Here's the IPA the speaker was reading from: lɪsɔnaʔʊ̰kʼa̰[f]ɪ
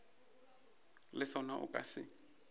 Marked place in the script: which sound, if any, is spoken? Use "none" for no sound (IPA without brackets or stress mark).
s